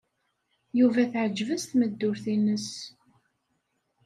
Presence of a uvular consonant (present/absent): absent